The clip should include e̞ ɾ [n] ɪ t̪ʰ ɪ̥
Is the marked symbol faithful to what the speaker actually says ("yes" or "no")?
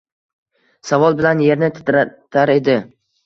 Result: yes